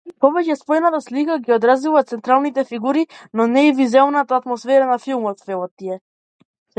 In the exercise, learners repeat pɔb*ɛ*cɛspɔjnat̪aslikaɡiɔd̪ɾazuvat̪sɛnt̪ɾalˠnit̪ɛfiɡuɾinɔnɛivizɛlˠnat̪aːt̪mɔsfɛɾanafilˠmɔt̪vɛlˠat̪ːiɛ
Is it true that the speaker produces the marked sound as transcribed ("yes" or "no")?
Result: yes